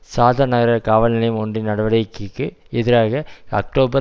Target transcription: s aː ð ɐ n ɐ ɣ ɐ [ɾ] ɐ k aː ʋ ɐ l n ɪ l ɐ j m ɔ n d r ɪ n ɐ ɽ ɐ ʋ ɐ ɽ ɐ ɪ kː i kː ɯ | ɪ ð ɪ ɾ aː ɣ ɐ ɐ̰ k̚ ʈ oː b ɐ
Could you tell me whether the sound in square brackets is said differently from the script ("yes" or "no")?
no